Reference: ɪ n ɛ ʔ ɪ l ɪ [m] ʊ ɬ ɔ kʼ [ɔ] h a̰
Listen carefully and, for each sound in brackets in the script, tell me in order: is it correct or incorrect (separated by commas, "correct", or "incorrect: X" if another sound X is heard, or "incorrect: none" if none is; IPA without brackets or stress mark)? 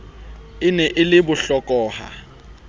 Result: incorrect: b, incorrect: ɔː